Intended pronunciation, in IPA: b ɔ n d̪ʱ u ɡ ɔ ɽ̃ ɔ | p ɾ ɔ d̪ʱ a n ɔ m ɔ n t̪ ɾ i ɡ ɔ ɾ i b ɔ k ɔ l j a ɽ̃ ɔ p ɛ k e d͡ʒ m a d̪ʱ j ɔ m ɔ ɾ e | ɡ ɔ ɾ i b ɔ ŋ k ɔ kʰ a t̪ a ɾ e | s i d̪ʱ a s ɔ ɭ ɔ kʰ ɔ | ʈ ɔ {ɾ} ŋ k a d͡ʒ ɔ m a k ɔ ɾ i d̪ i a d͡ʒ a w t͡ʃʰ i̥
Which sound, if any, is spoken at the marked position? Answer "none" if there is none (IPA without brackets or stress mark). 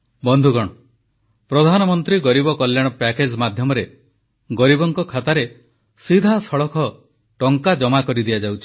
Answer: none